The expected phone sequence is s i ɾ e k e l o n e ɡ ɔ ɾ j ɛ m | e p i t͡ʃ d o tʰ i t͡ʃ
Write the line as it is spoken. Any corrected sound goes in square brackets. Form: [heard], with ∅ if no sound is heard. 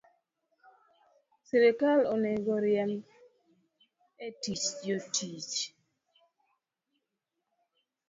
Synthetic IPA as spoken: s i ɾ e k [a] l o n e ɡ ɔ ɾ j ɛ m | e [t] i t͡ʃ [d͡ʒ] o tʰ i t͡ʃ